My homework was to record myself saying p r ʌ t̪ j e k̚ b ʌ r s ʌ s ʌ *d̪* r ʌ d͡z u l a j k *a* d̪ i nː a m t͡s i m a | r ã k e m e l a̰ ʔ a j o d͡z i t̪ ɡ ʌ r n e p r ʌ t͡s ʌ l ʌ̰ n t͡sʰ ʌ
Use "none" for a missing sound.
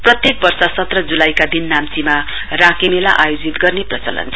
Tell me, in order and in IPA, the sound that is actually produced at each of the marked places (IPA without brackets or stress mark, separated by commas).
t̪, a